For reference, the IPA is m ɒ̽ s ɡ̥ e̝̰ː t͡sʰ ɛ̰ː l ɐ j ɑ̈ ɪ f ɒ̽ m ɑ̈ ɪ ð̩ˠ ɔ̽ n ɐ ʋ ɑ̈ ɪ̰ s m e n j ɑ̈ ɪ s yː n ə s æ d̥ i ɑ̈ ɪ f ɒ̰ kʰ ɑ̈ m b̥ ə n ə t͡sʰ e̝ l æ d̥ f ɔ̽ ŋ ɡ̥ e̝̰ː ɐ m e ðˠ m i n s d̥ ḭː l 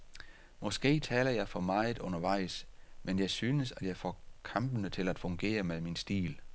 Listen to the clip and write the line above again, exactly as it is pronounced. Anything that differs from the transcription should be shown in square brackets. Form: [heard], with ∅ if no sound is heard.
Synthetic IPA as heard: m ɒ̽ s ɡ̥ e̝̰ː t͡sʰ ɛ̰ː l ɐ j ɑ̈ ɪ f ɒ̽ m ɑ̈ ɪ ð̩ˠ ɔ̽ n ɐ ʋ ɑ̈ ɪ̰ s m e n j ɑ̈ ɪ s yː n ə s æ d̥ [j] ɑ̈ ɪ f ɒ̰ kʰ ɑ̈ m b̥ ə n ə t͡sʰ e̝ l æ d̥ f ɔ̽ ŋ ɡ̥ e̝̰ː ɐ m e ðˠ m i n s d̥ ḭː l